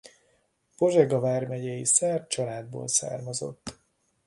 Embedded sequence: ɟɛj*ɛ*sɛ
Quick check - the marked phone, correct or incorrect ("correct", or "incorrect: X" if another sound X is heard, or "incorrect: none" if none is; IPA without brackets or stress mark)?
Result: incorrect: i